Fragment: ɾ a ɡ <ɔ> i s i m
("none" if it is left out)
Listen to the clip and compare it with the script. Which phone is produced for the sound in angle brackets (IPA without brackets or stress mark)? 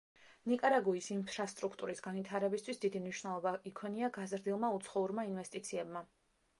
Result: u